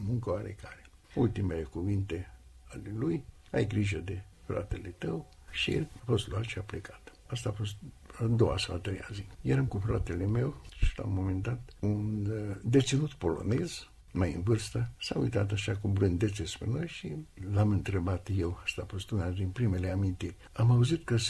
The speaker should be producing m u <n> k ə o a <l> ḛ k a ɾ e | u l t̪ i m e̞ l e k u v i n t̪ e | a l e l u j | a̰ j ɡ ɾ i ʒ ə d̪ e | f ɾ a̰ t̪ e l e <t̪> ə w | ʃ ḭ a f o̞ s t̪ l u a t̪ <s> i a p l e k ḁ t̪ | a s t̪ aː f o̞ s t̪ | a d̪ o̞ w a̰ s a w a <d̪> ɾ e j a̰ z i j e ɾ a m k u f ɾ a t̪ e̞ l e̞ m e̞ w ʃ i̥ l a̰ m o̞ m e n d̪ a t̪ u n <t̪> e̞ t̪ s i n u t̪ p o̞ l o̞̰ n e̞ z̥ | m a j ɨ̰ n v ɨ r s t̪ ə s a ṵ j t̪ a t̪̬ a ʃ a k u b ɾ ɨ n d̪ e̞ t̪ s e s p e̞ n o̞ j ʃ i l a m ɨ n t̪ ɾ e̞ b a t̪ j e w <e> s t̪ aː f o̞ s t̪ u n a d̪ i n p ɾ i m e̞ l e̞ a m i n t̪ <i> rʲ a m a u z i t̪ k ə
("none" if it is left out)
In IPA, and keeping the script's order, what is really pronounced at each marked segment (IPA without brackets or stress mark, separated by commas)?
ŋ, ɾ, t̪, ʃ, t̪, d̪, a, i